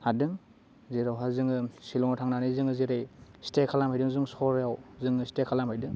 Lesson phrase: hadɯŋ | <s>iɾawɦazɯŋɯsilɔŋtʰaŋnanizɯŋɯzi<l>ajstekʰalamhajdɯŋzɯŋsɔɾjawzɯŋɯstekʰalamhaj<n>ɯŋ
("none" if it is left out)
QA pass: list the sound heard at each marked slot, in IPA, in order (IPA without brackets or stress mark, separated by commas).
z, ɾ, d